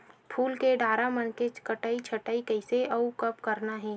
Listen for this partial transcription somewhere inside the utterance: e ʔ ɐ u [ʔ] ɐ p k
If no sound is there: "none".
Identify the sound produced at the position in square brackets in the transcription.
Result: k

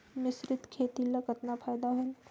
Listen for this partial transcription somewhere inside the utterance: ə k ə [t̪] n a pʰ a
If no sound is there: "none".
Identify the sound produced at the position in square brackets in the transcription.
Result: t̪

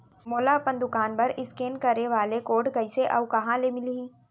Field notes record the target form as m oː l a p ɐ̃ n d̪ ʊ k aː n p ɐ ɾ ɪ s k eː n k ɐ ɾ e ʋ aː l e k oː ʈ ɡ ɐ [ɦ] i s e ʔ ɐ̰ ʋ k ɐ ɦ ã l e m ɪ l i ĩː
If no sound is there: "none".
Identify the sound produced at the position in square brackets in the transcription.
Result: none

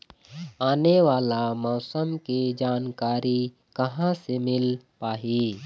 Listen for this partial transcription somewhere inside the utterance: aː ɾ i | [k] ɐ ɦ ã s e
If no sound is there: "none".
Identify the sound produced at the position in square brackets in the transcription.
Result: k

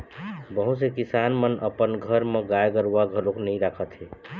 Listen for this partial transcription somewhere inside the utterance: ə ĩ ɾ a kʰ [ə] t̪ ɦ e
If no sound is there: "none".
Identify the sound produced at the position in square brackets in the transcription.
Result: ə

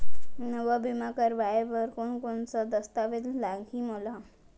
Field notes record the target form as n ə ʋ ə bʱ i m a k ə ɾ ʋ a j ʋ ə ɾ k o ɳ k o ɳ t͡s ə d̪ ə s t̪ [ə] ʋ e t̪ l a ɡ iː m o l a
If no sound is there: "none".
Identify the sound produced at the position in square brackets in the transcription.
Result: a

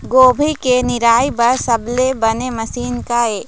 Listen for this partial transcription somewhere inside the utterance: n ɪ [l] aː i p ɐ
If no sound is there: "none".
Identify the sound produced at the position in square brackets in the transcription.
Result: ɾ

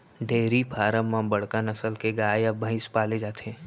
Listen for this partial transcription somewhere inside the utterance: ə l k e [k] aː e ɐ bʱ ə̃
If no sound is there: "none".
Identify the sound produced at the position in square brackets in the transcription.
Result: ɡ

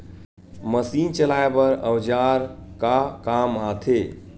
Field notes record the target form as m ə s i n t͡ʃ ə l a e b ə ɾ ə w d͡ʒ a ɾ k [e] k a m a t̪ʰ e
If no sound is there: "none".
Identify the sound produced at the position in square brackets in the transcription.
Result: a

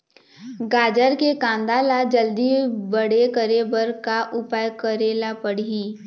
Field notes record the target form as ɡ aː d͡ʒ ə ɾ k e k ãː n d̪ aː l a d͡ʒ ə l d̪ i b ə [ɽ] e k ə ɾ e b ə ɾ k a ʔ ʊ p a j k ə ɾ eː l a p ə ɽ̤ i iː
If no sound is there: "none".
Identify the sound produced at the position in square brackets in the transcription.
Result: ɽ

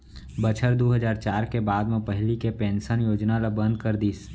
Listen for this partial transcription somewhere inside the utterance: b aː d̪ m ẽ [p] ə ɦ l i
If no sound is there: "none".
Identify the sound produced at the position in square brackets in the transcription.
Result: p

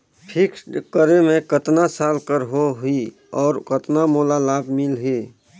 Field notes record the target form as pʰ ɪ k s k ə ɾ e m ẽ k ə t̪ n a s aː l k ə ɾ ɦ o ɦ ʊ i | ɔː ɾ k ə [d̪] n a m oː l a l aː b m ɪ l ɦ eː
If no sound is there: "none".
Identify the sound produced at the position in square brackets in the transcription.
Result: t̪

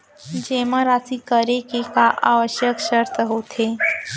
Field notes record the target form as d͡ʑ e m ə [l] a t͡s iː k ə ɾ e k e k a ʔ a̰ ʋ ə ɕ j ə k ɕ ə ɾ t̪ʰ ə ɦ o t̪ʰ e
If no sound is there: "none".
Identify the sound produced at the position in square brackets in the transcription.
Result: ɾ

